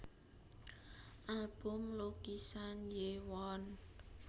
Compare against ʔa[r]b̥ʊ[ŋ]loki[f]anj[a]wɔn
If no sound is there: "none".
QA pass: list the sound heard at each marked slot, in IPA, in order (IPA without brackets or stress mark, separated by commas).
l, m, s, e